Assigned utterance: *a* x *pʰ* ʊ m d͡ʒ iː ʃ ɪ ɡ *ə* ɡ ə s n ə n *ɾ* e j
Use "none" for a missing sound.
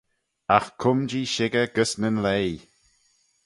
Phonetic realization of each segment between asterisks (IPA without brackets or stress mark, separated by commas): a, kʰ, ə, l